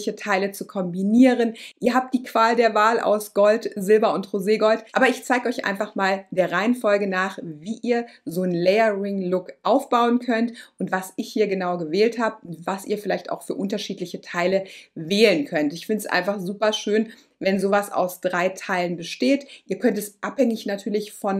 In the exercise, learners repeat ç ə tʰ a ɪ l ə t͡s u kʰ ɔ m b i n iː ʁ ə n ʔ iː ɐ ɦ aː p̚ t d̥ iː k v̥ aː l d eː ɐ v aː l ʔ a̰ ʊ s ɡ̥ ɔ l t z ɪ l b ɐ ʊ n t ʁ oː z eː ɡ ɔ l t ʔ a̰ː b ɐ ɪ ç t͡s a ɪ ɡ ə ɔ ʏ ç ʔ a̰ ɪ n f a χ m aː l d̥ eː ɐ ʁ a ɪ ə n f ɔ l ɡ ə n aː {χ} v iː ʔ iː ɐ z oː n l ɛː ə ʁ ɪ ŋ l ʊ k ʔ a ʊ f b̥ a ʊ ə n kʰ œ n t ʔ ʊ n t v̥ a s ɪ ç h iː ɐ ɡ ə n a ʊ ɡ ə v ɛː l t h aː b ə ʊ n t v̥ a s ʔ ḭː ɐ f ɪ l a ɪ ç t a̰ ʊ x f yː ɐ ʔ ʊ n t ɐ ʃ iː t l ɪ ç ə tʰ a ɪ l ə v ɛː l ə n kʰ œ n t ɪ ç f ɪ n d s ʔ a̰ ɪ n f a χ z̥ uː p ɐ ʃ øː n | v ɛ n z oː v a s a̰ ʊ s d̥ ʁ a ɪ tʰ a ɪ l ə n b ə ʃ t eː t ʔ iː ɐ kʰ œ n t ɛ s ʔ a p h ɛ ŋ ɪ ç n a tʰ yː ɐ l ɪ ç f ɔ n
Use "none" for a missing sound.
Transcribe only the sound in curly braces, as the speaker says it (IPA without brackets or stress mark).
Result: χ